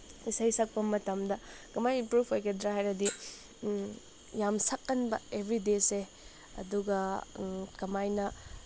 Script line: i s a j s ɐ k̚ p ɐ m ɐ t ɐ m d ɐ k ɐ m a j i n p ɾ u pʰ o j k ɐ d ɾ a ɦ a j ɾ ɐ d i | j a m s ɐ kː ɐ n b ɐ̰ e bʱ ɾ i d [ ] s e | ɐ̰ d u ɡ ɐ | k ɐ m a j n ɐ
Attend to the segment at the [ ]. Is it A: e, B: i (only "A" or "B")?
A